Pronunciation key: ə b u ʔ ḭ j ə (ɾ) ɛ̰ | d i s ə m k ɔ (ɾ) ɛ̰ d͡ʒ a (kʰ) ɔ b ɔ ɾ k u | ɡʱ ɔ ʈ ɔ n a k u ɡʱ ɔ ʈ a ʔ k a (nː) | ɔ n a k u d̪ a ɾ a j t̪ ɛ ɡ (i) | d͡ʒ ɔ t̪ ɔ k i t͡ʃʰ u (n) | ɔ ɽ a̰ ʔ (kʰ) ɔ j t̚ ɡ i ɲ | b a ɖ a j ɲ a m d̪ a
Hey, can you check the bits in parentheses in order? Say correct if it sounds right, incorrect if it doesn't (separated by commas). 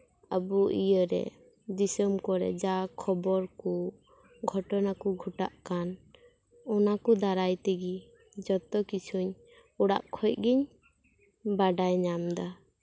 correct, correct, correct, incorrect, correct, incorrect, correct